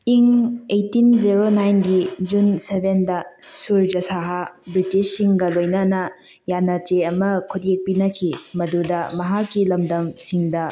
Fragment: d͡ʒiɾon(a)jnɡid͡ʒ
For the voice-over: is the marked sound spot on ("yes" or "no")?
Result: yes